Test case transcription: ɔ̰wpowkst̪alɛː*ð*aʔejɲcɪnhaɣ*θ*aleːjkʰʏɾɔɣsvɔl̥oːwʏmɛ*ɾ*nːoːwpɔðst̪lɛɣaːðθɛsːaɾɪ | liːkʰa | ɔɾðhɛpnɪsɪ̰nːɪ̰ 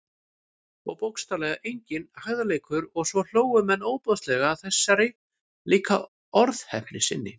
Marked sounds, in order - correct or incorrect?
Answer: incorrect: ɣ, incorrect: ð, incorrect: none

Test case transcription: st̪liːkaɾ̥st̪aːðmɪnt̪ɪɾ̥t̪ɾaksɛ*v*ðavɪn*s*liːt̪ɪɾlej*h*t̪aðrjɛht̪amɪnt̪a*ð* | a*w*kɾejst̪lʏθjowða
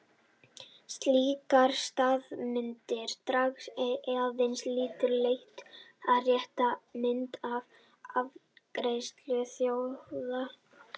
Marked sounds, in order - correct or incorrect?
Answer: incorrect: none, correct, correct, incorrect: v, incorrect: v

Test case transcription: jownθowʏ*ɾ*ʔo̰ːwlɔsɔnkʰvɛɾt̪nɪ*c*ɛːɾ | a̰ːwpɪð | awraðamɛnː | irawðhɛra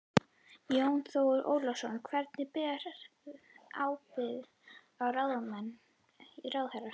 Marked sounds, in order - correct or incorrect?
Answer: correct, incorrect: p

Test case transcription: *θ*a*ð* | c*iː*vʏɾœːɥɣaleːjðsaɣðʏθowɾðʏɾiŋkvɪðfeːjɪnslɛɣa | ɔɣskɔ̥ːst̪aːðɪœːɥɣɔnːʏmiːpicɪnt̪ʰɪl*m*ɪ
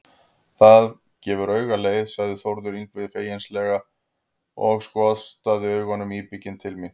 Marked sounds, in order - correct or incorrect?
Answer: correct, correct, incorrect: ɛː, correct

